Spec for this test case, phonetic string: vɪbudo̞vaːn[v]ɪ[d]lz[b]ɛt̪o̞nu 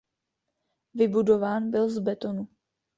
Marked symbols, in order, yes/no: no, no, yes

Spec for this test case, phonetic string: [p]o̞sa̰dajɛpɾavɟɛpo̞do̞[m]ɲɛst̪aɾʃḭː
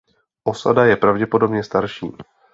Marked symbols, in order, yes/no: no, no

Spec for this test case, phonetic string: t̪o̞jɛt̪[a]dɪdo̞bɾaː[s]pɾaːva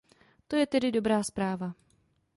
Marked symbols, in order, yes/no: no, yes

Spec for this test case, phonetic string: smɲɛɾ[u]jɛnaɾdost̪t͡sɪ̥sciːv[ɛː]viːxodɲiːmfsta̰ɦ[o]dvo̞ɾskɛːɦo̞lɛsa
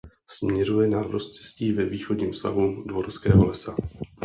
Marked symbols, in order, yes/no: yes, no, no

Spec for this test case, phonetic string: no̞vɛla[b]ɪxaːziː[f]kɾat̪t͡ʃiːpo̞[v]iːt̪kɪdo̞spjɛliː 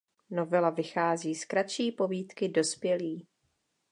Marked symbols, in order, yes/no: no, no, yes

